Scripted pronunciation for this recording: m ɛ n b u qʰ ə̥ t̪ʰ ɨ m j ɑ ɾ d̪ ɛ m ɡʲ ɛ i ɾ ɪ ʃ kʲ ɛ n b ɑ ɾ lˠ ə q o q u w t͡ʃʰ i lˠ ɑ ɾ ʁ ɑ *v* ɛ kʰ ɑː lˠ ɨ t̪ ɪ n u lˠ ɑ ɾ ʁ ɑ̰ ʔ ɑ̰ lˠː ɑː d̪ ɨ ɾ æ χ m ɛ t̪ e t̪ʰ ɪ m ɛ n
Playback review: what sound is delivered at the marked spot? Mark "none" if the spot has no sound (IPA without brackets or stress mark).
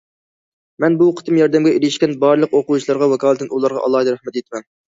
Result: w